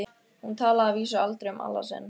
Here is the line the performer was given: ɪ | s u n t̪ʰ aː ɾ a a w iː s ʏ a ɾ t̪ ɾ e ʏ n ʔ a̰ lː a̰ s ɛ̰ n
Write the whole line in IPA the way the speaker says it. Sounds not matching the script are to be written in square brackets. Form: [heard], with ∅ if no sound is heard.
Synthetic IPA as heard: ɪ | [h] u n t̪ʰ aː [l] a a [v] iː s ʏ a [l] t̪ ɾ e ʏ [m] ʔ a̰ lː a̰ s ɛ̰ n